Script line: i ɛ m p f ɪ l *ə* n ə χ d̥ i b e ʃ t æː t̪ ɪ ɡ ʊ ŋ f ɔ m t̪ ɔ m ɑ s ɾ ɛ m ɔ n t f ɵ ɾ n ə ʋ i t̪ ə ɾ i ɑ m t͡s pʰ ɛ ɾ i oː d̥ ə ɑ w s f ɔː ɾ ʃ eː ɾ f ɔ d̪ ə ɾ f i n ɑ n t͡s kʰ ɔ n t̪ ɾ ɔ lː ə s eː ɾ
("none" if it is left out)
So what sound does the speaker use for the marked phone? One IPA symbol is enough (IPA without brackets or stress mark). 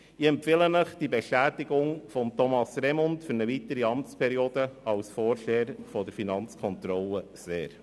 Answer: ə